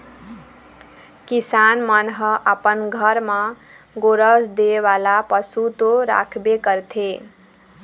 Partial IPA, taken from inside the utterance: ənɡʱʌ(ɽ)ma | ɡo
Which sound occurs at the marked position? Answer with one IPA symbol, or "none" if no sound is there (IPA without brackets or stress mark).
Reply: ɾ